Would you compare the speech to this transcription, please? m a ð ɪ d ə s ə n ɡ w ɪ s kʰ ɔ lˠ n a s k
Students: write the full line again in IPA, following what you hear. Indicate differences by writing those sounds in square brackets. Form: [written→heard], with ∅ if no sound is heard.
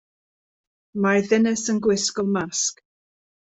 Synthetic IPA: m a ð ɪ [d→n] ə s ə n ɡ w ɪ s [kʰ→k] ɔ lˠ [n→m] a s k